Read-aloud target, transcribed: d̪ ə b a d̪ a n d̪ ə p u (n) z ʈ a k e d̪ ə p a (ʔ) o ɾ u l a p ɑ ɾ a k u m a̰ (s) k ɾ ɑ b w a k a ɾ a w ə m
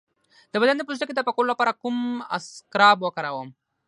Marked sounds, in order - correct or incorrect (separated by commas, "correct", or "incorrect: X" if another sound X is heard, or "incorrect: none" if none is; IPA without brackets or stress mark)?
incorrect: none, incorrect: k, correct